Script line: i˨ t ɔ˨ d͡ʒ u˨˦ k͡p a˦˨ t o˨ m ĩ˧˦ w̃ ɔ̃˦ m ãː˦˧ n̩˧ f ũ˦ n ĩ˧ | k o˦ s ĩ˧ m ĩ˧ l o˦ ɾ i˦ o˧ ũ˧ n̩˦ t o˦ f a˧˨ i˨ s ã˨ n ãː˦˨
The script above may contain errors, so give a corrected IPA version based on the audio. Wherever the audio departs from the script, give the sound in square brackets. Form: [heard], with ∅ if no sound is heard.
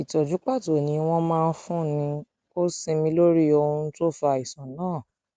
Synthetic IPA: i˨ t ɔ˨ d͡ʒ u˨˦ k͡p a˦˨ t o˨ [n] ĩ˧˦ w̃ ɔ̃˦ m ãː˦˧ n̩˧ f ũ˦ n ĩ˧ | k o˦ s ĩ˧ m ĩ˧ l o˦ ɾ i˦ o˧ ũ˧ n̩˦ t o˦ f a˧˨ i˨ s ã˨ n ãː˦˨